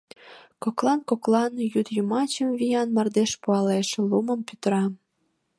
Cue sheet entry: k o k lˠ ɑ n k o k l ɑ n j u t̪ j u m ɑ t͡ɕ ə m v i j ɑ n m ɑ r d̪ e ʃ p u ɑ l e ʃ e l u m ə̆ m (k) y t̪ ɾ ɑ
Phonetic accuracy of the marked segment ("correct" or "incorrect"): incorrect